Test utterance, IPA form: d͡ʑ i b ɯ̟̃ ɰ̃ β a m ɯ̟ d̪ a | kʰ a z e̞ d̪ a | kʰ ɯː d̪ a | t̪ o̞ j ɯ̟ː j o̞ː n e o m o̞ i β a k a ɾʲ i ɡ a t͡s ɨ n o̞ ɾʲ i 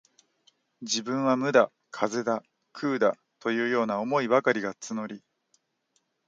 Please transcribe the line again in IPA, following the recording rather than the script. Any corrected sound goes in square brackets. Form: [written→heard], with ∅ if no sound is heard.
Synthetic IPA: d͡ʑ i b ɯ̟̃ ɰ̃ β a m ɯ̟ d̪ a | kʰ a z e̞ d̪ a | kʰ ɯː d̪ a | t̪ o̞ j ɯ̟ː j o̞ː n [e→a] o m o̞ i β a k a ɾʲ i ɡ a t͡s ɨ n o̞ ɾʲ i

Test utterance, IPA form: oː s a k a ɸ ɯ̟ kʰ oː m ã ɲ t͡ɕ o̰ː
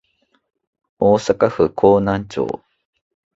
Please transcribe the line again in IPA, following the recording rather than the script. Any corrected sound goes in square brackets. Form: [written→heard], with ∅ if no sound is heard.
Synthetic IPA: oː s a k a ɸ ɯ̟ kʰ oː [m→n] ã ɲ t͡ɕ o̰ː

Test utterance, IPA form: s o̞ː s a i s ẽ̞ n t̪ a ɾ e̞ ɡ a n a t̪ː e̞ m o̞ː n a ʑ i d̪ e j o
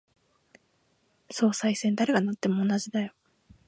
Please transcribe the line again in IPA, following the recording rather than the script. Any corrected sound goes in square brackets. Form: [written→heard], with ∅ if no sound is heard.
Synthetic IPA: s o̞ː s a i s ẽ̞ n [t̪→d̪] a ɾ e̞ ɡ a n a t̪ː e̞ m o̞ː n a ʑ i d̪ [e→a] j o

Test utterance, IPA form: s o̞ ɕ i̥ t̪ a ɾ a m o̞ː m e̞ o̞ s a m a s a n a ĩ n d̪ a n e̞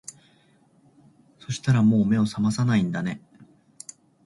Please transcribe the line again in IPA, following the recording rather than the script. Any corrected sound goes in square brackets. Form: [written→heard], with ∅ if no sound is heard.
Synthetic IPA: s o̞ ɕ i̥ t̪ a ɾ a m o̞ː m e̞ o̞ s a m a s a n a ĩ n d̪ a n e̞

